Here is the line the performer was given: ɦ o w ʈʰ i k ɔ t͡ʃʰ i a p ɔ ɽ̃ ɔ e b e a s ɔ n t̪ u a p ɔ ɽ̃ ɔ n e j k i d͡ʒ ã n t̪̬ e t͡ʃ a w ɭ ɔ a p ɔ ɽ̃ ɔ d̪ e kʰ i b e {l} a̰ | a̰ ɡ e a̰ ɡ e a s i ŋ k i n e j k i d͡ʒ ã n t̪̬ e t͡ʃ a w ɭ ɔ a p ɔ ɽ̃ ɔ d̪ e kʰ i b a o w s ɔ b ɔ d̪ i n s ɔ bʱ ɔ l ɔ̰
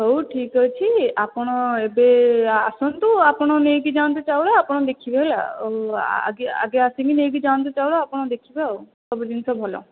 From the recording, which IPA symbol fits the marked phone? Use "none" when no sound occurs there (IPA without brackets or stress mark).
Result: l